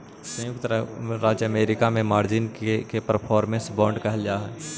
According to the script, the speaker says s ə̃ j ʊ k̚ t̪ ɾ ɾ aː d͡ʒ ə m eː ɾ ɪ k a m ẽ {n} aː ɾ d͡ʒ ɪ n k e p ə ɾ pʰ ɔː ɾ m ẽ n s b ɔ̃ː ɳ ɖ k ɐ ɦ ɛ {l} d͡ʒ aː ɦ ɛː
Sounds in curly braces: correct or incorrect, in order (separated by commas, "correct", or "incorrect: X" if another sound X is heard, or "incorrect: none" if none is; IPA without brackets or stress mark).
incorrect: m, correct